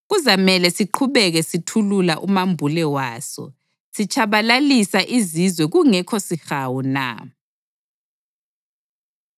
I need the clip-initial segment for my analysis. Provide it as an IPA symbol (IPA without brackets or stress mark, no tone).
ɣ